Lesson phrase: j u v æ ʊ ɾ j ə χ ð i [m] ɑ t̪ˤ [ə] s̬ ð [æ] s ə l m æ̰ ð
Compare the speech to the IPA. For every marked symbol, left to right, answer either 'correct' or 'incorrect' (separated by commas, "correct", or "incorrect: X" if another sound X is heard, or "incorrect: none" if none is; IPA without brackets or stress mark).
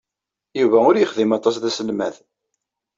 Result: correct, incorrect: ɑ, correct